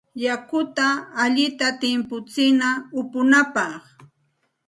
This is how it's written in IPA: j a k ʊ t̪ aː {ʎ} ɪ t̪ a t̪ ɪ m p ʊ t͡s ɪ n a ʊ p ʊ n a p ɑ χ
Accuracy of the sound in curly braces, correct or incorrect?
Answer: correct